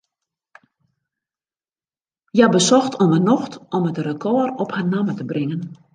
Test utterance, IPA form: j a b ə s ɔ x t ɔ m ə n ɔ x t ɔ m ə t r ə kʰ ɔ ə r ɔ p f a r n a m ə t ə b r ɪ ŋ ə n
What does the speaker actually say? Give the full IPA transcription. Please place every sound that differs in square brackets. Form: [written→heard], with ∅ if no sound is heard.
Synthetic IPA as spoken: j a b ə s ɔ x t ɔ m ə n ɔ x t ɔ m ə t r ə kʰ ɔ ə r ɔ p [f→h] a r n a m ə t ə b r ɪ ŋ ə n